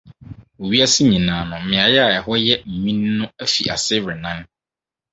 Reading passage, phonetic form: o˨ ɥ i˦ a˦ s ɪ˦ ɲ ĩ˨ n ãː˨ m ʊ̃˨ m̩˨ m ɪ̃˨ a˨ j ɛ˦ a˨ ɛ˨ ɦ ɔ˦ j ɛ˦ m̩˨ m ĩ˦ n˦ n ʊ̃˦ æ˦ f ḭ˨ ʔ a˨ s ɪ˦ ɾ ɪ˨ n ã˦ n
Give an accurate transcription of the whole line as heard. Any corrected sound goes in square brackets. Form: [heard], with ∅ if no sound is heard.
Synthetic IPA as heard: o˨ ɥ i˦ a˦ s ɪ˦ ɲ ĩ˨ n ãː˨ [n] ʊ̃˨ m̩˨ m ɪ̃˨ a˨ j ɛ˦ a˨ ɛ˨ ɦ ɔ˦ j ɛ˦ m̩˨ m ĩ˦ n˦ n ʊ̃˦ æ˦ f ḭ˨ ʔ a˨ s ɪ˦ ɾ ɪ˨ n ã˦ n